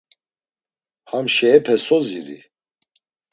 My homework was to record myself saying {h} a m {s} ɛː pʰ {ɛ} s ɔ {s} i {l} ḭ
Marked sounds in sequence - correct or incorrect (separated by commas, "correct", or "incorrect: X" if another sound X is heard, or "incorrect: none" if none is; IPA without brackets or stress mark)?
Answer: correct, incorrect: ʃ, correct, incorrect: z, incorrect: ɾ